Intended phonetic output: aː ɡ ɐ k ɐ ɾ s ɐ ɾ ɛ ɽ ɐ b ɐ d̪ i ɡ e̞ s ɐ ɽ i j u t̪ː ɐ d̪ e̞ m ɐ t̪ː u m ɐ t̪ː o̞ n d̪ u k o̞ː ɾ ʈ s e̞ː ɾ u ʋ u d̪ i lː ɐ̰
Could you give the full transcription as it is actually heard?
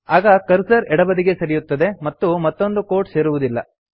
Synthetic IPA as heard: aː ɡ ɐ k ɐ ɾ s ɐ ɾ ɛ ɽ ɐ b ɐ d̪ i ɡ e̞ s ɐ ɾ i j u t̪ː ɐ d̪ e̞ m ɐ t̪ː u m ɐ t̪ː o̞ n d̪ u k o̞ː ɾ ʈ s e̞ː ɾ u ʋ u d̪ i lː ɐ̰